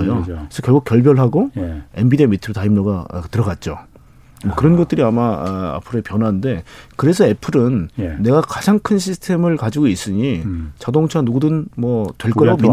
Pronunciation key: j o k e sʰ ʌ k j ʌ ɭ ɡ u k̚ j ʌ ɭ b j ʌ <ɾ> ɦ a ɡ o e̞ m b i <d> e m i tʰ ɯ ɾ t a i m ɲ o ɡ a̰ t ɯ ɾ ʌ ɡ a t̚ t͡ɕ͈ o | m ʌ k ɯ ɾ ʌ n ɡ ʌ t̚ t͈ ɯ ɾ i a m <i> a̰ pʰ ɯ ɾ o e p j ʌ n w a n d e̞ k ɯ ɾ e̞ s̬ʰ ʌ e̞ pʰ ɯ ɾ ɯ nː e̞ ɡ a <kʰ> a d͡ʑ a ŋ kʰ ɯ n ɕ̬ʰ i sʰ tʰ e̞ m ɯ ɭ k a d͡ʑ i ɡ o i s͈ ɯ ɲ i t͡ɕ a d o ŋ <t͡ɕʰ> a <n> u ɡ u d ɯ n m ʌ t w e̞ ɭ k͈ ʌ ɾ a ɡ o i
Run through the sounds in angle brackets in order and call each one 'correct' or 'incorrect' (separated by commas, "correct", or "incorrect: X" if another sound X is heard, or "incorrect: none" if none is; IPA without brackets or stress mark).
incorrect: ɭ, correct, incorrect: a, incorrect: k, correct, correct